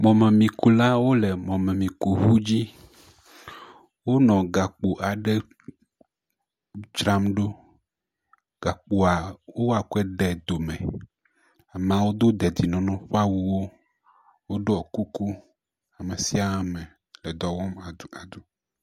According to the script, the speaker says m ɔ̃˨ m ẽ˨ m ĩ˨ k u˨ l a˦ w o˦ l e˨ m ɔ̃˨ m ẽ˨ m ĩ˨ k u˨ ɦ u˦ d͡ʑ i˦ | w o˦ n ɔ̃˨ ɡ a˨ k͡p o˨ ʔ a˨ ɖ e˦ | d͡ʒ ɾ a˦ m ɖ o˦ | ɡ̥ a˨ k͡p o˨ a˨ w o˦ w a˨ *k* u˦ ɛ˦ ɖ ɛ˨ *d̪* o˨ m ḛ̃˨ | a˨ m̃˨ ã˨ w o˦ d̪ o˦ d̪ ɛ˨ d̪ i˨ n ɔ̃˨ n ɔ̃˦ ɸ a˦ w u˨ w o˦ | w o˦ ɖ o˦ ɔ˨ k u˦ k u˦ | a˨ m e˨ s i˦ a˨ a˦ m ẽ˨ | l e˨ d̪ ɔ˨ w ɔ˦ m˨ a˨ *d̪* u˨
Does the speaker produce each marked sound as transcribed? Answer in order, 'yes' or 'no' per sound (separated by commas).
yes, yes, yes